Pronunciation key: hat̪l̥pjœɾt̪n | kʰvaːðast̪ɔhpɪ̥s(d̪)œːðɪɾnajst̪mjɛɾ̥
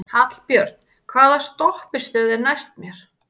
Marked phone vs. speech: incorrect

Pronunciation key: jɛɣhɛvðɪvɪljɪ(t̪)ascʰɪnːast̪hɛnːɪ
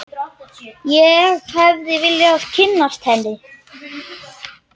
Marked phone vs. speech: incorrect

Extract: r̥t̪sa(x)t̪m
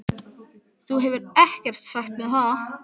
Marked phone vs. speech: correct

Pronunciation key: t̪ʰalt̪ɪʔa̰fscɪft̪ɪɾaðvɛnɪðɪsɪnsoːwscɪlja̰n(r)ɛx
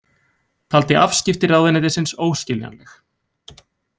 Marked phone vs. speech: incorrect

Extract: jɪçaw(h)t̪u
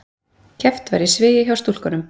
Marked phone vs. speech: incorrect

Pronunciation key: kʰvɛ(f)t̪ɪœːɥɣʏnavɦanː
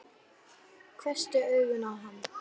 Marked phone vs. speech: incorrect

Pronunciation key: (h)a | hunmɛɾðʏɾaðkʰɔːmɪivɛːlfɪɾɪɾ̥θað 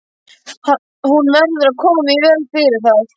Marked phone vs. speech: correct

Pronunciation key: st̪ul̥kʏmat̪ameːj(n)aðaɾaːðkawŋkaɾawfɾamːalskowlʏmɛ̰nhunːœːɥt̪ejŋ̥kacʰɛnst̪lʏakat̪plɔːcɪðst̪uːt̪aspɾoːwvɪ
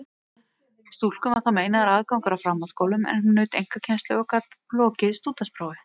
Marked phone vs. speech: correct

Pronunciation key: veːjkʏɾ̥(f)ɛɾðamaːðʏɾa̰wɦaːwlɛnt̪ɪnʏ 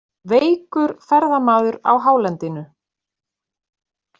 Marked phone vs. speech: correct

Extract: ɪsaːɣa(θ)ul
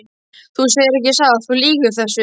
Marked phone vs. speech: correct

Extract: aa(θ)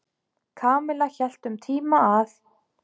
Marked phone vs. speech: correct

